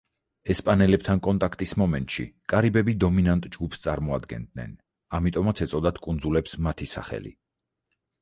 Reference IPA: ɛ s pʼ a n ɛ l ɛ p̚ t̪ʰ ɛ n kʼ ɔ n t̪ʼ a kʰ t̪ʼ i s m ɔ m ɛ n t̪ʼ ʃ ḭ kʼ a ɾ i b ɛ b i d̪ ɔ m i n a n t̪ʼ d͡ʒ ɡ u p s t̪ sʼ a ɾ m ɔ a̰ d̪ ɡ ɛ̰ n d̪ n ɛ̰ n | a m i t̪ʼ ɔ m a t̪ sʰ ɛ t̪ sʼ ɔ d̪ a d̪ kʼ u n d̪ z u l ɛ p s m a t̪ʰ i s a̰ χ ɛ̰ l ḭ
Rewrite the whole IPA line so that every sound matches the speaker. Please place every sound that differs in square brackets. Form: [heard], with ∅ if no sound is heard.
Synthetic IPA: ɛ s pʼ a n ɛ l ɛ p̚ t̪ʰ [a] n kʼ ɔ n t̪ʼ a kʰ t̪ʼ i s m ɔ m ɛ n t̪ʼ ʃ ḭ kʼ a ɾ i b ɛ b i d̪ ɔ m i n a n t̪ʼ d͡ʒ ɡ u p s t̪ sʼ a ɾ m ɔ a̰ d̪ ɡ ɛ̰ n d̪ n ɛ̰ n | a m i t̪ʼ ɔ m a t̪ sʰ ɛ t̪ sʼ ɔ d̪ a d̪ kʼ u n d̪ z u l ɛ p s m a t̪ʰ i s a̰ χ ɛ̰ l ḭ